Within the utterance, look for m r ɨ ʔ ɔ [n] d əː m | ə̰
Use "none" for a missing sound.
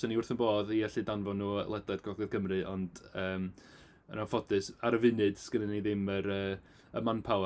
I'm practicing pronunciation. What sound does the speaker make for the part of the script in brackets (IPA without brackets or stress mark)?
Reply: n